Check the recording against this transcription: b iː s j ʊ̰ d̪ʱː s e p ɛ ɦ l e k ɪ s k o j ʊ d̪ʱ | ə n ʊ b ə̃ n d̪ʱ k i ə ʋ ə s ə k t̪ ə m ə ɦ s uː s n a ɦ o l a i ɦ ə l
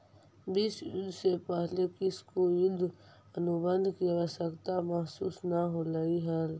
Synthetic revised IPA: b iː s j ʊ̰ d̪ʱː s e p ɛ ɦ l e k ɪ s k o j ʊ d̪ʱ | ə n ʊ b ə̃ n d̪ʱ k i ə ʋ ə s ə k t̪ a m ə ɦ s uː s n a ɦ o l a i ɦ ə l